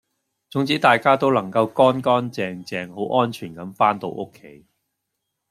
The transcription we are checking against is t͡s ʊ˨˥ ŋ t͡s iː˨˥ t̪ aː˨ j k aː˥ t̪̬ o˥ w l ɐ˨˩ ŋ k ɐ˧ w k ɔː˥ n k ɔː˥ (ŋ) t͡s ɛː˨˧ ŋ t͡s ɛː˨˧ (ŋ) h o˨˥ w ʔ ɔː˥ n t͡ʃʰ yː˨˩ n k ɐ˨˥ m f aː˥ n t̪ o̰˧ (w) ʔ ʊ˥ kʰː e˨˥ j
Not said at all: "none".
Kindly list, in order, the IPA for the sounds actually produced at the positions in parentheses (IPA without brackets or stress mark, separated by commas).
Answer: n, ŋ, w